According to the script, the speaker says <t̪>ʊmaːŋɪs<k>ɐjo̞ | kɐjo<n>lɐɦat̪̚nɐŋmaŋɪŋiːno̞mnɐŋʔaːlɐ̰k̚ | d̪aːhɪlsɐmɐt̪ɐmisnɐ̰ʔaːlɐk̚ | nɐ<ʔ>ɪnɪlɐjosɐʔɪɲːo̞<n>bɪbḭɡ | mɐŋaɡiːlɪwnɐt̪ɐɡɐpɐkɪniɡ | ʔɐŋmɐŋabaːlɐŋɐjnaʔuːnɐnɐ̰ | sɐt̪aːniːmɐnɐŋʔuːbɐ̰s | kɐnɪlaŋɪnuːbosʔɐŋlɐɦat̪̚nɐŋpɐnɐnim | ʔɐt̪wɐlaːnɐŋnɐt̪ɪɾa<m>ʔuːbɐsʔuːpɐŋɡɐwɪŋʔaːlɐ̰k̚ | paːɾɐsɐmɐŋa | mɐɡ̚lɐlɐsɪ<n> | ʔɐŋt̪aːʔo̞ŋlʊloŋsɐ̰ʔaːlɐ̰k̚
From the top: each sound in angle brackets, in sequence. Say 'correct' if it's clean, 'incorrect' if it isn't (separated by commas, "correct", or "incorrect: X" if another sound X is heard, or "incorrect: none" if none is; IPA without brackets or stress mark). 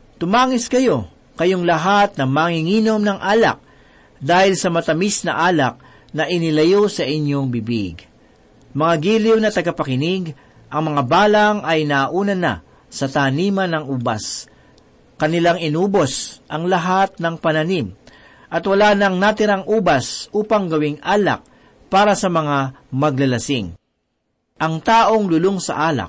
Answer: correct, correct, incorrect: ŋ, correct, incorrect: ŋ, incorrect: ŋ, incorrect: ŋ